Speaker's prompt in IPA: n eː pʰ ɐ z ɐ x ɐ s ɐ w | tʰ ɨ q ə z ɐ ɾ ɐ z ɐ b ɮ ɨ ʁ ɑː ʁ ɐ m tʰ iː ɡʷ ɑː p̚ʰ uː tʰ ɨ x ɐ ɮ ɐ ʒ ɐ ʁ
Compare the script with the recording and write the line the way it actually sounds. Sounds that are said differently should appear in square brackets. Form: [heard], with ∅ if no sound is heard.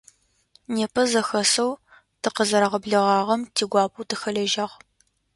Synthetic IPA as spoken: n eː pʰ ɐ z ɐ x ɐ s ɐ w | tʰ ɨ q ə z ɐ ɾ ɐ [ʁ] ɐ b ɮ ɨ ʁ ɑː ʁ ɐ m tʰ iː ɡʷ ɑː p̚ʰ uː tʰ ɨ x ɐ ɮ ɐ ʒ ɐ ʁ